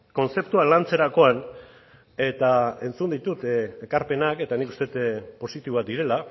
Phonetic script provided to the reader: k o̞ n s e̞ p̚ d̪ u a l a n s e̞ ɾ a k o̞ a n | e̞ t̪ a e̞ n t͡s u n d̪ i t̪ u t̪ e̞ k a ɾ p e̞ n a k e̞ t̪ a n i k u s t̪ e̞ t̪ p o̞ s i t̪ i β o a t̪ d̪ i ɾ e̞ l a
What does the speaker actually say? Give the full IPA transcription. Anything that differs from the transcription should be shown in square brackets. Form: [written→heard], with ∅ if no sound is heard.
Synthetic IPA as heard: k o̞ n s e̞ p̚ [d̪→t̪] u a l a n [s→t͡s] e̞ ɾ a k o̞ a n | e̞ t̪ a e̞ n t͡s u n d̪ i t̪ u t̪ e̞ k a ɾ p e̞ n a k e̞ t̪ a n i k u s t̪ e̞ t̪ p o̞ s i t̪ i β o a t̪ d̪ i ɾ e̞ l a